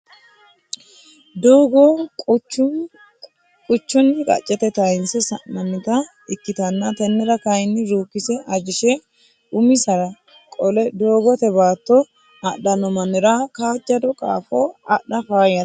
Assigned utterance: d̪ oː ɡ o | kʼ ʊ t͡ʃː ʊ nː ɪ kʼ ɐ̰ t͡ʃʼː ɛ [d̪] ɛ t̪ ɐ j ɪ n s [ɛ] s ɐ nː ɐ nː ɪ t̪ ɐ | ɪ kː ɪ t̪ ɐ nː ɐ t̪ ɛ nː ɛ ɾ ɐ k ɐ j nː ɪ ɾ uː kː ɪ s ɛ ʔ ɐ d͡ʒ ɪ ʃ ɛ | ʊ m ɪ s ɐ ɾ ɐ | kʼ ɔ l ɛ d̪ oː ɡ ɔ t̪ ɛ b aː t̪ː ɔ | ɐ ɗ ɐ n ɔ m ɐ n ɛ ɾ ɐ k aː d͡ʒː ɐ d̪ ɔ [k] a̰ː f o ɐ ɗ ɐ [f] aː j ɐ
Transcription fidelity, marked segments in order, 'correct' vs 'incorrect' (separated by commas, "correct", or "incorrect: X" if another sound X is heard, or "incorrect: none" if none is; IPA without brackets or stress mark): incorrect: t̪, correct, incorrect: kʼ, correct